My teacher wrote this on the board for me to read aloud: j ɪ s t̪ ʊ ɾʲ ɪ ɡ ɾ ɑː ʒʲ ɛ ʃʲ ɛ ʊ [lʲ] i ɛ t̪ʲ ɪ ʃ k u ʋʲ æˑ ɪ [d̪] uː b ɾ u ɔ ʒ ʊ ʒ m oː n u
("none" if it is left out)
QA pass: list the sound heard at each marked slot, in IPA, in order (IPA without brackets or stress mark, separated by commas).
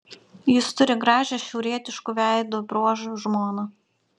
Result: ɾʲ, d̪